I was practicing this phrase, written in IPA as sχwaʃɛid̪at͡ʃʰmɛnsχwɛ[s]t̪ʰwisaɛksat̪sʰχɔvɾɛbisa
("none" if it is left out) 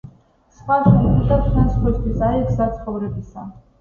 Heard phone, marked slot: s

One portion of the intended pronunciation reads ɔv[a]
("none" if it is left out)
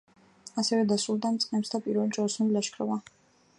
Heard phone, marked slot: a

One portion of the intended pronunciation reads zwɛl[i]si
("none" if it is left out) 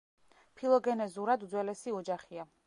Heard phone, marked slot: ɛ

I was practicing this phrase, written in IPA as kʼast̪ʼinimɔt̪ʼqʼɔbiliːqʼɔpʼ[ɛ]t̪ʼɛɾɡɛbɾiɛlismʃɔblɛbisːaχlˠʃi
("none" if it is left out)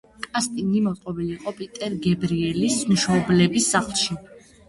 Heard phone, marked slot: i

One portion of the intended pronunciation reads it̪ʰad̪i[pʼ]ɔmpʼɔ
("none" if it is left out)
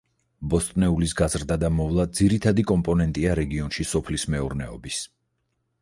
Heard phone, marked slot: kʼ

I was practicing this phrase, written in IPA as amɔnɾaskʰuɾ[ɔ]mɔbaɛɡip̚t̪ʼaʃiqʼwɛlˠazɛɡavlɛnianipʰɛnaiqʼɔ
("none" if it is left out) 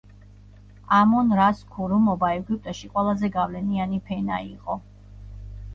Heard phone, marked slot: u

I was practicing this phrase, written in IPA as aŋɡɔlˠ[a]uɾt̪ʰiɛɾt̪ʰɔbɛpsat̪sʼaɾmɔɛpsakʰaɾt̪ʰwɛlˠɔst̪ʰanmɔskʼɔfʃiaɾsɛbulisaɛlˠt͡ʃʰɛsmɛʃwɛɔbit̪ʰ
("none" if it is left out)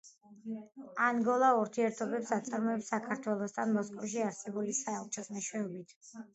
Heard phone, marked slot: a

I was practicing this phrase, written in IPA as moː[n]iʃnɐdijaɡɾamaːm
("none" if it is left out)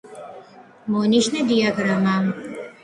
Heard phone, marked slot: n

